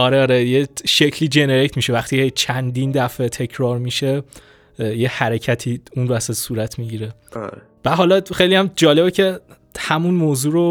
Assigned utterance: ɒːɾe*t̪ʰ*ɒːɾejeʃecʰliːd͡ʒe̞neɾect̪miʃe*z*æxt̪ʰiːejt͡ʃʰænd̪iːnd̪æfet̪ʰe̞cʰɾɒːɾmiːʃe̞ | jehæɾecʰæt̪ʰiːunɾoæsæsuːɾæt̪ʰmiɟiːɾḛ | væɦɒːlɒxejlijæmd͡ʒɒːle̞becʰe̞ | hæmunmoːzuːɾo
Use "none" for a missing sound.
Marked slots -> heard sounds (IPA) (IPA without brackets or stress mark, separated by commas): none, v